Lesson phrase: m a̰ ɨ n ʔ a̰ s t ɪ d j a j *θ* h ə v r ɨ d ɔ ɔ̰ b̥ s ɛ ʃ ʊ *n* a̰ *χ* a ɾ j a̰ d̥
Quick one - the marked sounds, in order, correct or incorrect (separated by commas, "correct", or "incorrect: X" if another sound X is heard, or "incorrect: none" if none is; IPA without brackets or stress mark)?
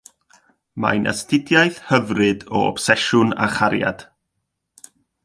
correct, correct, correct